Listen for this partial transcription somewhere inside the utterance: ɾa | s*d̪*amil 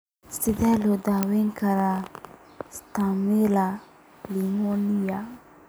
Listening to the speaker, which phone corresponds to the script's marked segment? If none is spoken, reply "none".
t̪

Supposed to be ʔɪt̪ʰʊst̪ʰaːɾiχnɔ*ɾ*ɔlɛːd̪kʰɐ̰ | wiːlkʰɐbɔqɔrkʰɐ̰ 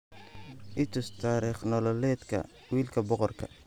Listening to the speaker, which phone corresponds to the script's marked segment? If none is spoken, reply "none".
l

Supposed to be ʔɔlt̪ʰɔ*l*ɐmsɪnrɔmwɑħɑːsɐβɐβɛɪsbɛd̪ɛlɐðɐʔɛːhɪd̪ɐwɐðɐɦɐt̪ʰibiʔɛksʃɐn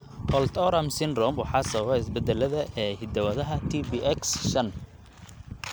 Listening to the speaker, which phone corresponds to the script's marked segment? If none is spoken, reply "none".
ɾ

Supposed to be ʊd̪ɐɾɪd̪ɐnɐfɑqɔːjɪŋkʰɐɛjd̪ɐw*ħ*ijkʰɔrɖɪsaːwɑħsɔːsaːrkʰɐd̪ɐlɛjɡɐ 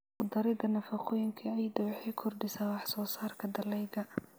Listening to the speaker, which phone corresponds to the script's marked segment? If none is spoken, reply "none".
ħ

